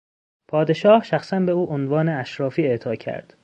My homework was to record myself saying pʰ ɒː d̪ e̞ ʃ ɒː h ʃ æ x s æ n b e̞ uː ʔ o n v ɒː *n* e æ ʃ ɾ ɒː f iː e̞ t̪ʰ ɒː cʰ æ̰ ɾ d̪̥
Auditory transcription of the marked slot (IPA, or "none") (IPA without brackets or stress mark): n